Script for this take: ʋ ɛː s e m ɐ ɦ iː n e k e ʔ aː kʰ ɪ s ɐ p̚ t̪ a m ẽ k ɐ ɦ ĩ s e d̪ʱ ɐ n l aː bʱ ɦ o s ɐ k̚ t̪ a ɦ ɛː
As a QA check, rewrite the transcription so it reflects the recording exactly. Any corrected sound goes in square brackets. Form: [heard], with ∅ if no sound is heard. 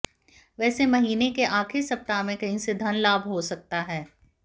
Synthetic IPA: ʋ ɛː s e m ɐ ɦ iː n e k e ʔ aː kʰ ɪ s ɐ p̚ t̪ a m ẽ k ɐ ɦ ĩ s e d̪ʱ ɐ n l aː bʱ ɦ o s ɐ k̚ t̪ a ɦ ɛː